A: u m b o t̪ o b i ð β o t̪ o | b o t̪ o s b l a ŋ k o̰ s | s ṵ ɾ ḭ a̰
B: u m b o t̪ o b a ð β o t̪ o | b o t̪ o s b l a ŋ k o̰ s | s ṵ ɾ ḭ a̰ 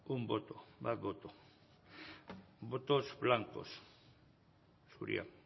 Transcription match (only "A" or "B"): B